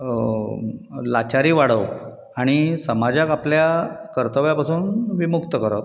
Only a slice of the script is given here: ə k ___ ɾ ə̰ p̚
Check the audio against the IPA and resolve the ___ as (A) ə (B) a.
A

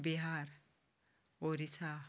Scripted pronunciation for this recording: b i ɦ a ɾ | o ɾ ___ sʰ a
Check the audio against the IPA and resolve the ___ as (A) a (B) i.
B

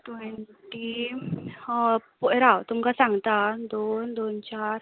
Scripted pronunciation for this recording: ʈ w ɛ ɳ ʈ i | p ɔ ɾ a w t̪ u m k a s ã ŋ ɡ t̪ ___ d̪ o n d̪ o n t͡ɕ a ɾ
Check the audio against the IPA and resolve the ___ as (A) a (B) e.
A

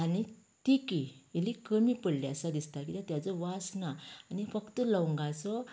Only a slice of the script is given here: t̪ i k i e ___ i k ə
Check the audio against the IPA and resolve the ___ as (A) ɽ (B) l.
B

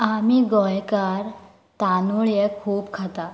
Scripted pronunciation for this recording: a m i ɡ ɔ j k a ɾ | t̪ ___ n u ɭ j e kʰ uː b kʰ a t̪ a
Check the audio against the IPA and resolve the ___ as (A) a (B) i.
A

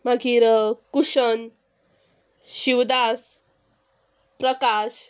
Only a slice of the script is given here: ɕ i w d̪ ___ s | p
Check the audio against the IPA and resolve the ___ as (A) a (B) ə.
A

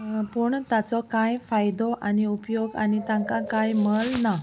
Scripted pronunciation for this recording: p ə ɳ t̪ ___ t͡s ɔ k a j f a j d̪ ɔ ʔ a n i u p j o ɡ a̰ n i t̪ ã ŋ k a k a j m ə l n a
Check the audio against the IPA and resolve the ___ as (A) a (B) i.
A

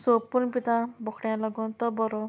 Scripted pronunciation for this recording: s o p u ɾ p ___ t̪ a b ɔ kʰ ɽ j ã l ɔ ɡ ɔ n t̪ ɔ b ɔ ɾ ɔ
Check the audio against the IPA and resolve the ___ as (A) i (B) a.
A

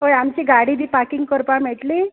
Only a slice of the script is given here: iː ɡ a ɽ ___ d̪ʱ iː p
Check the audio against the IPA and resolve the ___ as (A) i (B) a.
A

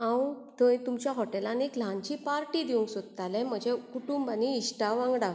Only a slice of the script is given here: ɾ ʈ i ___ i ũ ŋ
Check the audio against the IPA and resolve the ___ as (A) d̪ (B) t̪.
A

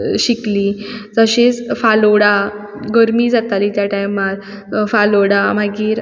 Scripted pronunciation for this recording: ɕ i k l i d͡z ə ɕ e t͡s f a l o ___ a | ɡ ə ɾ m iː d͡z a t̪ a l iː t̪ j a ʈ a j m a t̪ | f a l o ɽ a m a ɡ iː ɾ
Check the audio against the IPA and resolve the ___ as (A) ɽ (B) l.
A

